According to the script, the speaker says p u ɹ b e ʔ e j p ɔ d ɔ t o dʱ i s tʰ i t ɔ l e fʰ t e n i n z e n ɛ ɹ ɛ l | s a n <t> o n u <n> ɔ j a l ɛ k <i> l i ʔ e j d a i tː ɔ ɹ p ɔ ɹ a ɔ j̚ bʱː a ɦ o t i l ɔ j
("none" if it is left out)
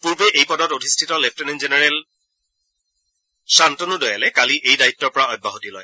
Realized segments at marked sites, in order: t, d, a

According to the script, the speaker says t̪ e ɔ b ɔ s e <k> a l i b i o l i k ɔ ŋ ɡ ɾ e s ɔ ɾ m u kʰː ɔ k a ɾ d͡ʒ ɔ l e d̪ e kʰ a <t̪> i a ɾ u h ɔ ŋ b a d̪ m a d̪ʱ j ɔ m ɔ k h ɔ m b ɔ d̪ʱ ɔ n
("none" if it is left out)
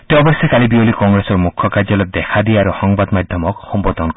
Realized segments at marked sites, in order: k, d̪

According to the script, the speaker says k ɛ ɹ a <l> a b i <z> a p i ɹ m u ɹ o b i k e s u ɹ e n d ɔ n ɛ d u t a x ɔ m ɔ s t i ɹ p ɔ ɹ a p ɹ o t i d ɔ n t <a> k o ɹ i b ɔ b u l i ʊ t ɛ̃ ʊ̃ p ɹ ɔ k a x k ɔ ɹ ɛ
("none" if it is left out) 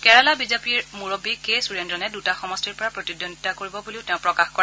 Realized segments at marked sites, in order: l, z, a

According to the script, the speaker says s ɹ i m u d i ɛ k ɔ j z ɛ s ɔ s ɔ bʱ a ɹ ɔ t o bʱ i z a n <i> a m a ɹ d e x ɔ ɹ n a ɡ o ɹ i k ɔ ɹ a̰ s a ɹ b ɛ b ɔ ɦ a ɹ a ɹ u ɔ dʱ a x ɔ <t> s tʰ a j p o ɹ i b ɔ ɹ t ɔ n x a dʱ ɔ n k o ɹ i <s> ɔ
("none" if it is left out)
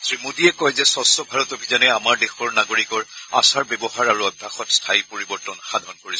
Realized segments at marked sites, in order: ɛ, t, s

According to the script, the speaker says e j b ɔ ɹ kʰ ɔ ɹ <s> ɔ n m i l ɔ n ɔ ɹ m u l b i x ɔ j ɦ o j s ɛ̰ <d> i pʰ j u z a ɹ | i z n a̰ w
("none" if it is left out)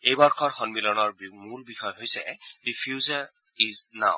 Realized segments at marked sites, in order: x, d

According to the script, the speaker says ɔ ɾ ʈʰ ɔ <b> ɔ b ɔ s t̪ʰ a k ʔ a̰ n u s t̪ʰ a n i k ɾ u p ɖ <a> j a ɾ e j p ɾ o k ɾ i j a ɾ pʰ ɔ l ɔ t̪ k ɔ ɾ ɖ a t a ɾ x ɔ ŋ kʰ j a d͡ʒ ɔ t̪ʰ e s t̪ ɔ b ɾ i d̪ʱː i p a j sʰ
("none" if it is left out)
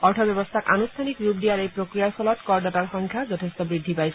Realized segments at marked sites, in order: b, i

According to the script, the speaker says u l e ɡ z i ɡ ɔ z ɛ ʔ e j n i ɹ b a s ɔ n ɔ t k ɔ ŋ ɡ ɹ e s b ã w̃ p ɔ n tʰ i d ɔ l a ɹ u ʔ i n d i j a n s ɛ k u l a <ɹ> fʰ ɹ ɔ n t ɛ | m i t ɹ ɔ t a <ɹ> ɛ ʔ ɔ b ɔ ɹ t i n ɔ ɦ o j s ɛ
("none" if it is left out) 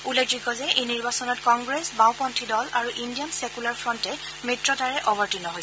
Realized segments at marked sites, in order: ɹ, ɹ

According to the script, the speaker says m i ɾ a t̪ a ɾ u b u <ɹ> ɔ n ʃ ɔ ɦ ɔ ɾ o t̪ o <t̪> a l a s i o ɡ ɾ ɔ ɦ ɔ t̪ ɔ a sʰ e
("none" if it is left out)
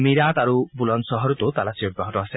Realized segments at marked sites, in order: l, t̪

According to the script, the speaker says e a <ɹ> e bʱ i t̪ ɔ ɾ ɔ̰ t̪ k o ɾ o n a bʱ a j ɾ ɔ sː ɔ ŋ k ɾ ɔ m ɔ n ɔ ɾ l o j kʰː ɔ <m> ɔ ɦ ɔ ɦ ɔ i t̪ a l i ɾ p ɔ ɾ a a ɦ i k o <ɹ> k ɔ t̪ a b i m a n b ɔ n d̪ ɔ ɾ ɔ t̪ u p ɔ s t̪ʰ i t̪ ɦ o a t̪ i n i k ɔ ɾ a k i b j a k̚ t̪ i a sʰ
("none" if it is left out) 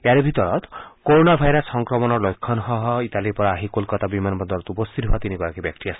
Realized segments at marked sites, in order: ɾ, n, l

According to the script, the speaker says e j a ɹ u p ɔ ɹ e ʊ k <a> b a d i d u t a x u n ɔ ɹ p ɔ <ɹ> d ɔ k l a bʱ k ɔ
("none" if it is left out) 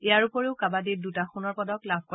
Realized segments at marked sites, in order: a, none

